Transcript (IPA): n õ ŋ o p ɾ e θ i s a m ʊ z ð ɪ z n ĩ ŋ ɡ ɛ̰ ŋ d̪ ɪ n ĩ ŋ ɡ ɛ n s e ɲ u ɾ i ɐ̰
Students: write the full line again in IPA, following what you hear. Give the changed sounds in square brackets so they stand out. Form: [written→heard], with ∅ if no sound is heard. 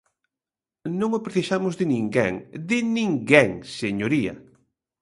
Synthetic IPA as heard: n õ ŋ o p ɾ e θ i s a m ʊ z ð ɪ [z→∅] n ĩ ŋ ɡ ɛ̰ ŋ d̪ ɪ n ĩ ŋ ɡ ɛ [n→ŋ] s e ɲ [u→o] ɾ i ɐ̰